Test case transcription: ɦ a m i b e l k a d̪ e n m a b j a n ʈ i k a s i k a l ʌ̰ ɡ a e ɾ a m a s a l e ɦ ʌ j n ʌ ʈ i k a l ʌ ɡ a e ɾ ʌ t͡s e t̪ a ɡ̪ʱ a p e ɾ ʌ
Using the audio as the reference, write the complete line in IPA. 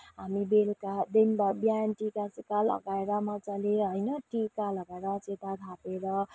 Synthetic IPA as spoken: ɦ a m i b e l k a d̪ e n b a b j a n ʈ i k a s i k a l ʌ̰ ɡ a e ɾ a m a t͡s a l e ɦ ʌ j n ʌ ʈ i k a l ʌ ɡ a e ɾ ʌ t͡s e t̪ a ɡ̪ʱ a p e ɾ ʌ